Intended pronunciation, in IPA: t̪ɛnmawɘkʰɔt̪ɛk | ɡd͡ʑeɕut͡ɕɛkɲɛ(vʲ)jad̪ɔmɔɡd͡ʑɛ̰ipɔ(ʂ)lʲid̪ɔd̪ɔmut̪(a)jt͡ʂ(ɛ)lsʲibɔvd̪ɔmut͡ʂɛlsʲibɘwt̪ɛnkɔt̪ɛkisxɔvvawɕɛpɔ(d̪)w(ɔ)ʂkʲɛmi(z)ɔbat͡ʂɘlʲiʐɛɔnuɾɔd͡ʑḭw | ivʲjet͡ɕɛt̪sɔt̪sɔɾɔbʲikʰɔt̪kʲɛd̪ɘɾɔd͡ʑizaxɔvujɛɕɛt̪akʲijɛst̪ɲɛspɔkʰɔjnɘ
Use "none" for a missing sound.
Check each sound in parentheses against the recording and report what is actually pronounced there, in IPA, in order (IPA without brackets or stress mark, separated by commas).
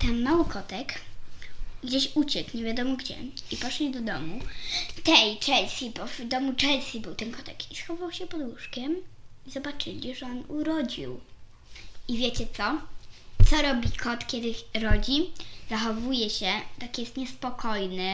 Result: vʲ, ʂ, ɛ, ɛ, d̪, u, z